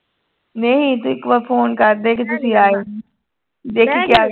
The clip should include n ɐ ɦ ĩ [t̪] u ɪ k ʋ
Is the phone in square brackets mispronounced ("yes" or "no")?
no